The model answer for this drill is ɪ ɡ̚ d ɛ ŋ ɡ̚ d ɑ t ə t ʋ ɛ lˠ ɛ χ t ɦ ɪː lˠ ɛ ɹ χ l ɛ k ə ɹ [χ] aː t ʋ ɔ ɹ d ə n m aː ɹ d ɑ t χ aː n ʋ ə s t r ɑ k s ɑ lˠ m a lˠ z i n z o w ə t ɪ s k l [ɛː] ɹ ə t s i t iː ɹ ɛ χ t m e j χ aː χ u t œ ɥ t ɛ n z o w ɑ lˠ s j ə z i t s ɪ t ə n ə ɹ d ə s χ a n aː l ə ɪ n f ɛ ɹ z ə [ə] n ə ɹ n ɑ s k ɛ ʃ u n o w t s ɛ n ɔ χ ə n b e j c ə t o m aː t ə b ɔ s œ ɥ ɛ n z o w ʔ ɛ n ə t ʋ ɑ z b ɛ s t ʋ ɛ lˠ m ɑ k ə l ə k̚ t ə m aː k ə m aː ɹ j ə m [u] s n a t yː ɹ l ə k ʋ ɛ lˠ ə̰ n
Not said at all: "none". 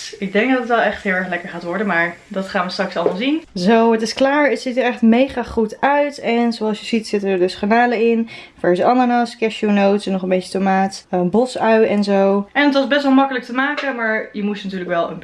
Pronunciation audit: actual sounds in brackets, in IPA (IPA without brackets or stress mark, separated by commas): χ, aː, ɑ, u